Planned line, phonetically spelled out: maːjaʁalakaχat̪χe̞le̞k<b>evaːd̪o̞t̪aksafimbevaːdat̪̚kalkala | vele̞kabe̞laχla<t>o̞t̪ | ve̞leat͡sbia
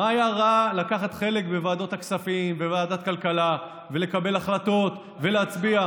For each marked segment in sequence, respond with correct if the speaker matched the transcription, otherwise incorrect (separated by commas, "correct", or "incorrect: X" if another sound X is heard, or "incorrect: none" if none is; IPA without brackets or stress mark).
correct, correct